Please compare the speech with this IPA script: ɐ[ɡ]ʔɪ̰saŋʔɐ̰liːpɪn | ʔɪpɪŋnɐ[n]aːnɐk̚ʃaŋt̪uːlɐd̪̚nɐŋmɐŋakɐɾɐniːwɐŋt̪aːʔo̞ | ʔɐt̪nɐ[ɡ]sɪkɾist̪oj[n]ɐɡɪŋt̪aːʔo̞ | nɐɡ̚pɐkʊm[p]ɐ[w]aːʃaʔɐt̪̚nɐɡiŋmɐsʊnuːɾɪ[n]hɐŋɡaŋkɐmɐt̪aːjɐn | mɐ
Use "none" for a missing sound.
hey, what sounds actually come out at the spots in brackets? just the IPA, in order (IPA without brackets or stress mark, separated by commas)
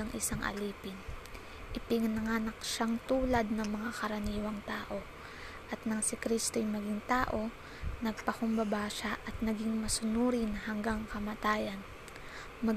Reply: ŋ, ŋ, ŋ, m, b, b, n